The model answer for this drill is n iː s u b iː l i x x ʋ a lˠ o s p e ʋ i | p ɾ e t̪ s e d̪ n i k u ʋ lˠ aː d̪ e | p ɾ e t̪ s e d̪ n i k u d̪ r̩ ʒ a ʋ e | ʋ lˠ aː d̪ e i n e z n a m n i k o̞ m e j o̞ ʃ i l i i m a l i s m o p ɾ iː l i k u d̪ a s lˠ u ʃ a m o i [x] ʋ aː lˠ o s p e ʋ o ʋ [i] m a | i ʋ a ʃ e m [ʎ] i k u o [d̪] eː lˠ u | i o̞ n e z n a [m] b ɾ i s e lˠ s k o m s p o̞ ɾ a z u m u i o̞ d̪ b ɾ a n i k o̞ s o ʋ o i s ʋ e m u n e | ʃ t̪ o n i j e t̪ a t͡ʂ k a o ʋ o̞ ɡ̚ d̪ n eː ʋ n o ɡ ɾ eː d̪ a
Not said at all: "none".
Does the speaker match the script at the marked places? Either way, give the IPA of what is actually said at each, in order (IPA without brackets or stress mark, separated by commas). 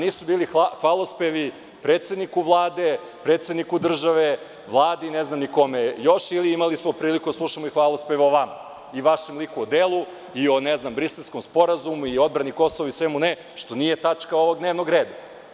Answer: x, a, l, d̪, m